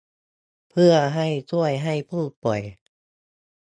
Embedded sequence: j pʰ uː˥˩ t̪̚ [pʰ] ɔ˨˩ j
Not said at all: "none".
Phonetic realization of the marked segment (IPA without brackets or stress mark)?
p